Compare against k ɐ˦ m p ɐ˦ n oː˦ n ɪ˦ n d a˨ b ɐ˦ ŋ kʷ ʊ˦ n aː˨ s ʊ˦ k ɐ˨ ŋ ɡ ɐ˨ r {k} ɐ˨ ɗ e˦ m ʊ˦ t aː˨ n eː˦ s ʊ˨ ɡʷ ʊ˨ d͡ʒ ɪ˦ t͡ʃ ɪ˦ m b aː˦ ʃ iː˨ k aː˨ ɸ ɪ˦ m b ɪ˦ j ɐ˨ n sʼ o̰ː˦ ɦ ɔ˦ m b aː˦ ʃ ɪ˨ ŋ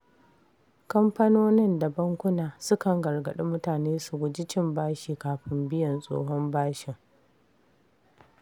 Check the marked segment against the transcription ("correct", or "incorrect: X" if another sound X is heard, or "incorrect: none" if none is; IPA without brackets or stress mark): incorrect: ɡ